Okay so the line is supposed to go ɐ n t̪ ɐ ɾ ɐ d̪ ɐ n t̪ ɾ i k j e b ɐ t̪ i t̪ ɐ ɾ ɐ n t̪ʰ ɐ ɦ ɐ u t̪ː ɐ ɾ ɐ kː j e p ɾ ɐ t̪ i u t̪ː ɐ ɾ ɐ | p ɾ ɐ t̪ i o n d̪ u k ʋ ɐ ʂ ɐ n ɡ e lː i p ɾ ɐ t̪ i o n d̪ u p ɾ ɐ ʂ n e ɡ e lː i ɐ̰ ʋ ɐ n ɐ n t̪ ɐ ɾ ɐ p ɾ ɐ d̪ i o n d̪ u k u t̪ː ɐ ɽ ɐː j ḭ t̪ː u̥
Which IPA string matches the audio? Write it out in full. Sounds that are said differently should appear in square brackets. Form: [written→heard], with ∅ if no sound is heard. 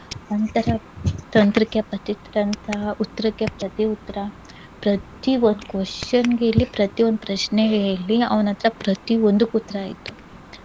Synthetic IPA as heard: ɐ n t̪ ɐ ɾ ɐ [d̪→t̪] ɐ n t̪ ɾ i k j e [b→p] ɐ t̪ i t̪ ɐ ɾ ɐ n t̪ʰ ɐ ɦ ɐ u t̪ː ɐ ɾ ɐ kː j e p ɾ ɐ t̪ i u t̪ː ɐ ɾ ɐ | p ɾ ɐ t̪ i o n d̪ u k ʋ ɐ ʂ ɐ n ɡ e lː i p ɾ ɐ t̪ i o n d̪ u p ɾ ɐ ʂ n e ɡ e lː i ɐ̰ ʋ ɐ n ɐ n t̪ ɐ ɾ ɐ p ɾ ɐ [d̪→t̪] i o n d̪ u k u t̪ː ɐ [ɽ→ɾ] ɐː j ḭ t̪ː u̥